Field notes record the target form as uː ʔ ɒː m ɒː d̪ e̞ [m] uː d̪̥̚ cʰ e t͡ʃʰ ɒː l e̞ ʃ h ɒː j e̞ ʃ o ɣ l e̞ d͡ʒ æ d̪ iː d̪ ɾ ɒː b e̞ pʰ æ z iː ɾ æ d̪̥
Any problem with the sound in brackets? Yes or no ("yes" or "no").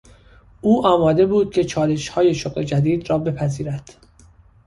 yes